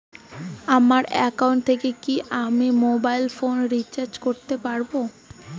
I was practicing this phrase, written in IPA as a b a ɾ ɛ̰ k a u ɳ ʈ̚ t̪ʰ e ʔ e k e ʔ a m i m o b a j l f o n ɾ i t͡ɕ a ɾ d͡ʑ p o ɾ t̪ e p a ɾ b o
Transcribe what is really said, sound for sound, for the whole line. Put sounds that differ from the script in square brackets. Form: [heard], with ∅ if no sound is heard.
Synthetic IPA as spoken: a [m] a ɾ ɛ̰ k a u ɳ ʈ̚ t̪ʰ e [k] e k [i] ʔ a m i m o b a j l f o n ɾ i t͡ɕ a ɾ d͡ʑ [k] o ɾ t̪ e p a ɾ b o